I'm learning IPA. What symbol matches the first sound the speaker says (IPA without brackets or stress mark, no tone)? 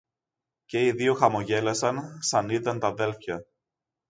c